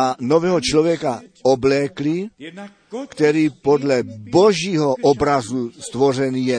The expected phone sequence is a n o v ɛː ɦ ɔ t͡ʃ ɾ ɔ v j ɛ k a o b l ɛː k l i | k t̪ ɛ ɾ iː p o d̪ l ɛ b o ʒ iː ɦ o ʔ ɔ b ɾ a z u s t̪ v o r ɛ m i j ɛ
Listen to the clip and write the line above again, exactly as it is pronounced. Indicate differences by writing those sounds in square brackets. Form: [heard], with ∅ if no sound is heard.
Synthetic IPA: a n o v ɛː ɦ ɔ t͡ʃ [l] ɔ v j ɛ k a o b l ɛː k l i | k t̪ ɛ ɾ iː p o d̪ l ɛ b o ʒ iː ɦ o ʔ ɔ b ɾ a z u s t̪ v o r ɛ [n] i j ɛ